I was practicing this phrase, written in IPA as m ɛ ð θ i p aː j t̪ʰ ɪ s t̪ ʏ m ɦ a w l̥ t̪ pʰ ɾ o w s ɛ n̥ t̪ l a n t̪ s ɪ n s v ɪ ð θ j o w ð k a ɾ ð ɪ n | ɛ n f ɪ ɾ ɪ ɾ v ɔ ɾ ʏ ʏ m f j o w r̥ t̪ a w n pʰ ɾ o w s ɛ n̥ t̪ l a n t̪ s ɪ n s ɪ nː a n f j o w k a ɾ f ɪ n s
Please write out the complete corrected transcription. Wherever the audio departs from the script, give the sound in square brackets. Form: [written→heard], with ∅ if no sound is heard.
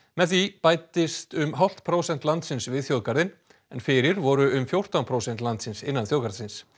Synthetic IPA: m ɛ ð θ i p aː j [t̪ʰ→t̪] ɪ s t̪ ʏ m ɦ a w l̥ t̪ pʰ ɾ o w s ɛ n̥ t̪ l a n t̪ s ɪ n s v ɪ ð θ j o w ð k a ɾ ð ɪ n | ɛ n f ɪ ɾ ɪ ɾ v ɔ ɾ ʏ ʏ m f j o w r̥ t̪ a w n pʰ ɾ o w s ɛ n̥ t̪ l a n t̪ s ɪ n s ɪ nː a n [f→θ] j o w k a ɾ [f→s] ɪ n s